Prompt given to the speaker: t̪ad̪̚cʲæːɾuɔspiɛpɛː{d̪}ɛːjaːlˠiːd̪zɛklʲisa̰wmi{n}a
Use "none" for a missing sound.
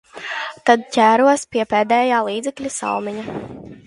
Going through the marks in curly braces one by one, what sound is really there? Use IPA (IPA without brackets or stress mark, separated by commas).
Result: d̪, ɲ